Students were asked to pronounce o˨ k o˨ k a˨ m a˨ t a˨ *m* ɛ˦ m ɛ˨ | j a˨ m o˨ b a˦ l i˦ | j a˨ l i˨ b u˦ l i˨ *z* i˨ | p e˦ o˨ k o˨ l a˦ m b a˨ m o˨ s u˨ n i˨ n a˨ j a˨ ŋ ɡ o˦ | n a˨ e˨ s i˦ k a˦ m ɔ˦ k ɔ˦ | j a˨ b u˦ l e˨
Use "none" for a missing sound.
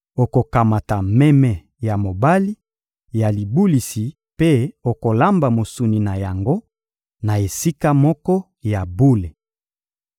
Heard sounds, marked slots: m, s

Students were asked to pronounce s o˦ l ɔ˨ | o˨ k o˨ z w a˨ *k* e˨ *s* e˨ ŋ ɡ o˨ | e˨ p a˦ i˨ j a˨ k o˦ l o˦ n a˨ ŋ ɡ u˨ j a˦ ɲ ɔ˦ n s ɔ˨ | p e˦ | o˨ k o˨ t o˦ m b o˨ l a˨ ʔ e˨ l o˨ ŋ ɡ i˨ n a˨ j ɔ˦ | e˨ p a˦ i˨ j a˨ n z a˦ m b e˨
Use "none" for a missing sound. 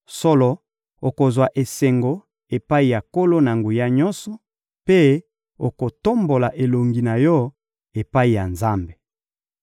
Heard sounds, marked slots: ʔ, s

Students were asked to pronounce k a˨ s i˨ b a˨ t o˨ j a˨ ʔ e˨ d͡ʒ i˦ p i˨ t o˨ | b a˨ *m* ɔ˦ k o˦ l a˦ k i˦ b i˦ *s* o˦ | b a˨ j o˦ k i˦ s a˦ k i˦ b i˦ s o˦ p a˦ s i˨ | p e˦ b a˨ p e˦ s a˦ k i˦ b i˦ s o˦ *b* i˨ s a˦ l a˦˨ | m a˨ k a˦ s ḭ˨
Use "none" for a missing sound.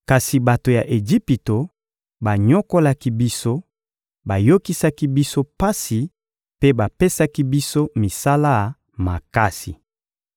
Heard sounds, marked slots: ɲ, s, m

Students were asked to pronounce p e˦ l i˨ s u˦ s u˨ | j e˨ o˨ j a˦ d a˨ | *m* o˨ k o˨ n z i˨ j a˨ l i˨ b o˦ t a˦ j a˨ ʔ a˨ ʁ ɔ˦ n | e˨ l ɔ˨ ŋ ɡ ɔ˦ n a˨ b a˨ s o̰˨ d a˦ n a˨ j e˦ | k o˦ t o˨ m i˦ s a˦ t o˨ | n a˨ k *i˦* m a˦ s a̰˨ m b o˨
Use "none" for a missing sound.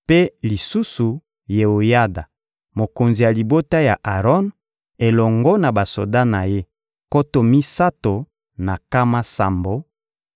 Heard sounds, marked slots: m, a˦

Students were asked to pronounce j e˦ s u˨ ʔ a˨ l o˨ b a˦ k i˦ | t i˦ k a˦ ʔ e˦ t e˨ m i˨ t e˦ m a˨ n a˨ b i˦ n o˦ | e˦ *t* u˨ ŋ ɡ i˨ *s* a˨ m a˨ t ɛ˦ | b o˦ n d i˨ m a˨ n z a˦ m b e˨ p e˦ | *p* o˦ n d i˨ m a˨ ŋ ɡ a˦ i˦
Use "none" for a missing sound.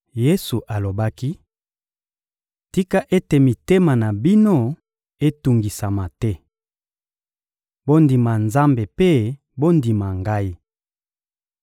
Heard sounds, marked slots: t, s, b

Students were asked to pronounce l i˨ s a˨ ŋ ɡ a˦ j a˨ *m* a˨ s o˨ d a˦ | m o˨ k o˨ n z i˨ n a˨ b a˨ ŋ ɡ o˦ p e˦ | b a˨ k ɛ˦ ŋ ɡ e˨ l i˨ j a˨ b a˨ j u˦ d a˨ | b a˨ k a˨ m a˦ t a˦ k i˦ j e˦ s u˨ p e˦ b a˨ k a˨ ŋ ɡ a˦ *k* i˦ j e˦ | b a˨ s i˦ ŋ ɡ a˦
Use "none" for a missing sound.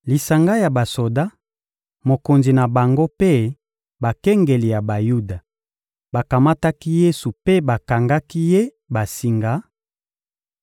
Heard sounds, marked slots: b, k

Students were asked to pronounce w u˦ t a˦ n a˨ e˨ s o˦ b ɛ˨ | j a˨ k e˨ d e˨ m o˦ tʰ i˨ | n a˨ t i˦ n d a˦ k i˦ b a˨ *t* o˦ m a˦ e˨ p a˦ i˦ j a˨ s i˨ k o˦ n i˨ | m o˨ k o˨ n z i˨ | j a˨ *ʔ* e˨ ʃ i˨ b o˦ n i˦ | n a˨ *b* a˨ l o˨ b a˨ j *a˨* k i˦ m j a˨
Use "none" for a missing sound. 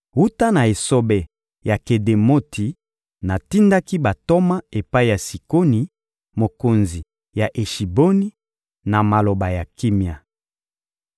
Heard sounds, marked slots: t, ʔ, m, a˨

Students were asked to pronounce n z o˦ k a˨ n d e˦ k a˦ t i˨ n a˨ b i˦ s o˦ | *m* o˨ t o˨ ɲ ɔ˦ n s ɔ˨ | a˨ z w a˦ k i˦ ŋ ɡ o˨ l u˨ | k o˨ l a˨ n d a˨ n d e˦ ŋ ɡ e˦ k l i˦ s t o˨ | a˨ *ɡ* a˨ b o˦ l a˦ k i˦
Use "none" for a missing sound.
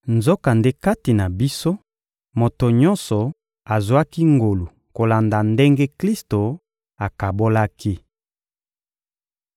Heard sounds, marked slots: m, k

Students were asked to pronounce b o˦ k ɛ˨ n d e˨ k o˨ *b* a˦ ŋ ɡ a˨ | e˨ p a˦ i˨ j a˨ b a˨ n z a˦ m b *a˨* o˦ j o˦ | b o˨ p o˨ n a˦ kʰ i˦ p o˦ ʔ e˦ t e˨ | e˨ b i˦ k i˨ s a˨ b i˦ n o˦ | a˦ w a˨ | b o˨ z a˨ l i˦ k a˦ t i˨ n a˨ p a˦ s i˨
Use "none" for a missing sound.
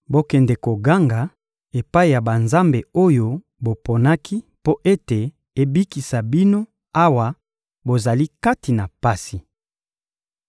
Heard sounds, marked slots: ɡ, e˨

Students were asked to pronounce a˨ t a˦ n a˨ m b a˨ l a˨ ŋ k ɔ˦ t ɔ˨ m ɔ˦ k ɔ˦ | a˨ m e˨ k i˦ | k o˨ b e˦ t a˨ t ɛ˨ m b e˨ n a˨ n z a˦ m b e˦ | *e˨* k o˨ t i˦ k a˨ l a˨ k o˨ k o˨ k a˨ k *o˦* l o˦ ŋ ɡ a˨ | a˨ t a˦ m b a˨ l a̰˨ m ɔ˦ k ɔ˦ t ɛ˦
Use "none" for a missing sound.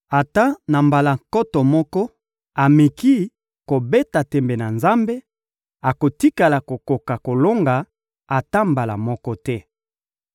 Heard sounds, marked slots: a˨, o˨

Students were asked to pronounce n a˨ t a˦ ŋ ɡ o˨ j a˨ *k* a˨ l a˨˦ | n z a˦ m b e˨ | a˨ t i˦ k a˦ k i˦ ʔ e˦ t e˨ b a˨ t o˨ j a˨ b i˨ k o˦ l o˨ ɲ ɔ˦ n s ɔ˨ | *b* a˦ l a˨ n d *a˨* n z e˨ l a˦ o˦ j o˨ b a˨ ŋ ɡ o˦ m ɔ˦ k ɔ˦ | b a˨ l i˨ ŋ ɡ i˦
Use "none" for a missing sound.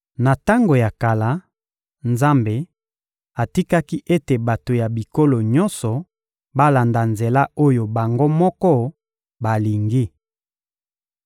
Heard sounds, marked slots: k, b, a˨

